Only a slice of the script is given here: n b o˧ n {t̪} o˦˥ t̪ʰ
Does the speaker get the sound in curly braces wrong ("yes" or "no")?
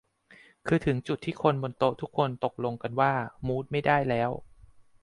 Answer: no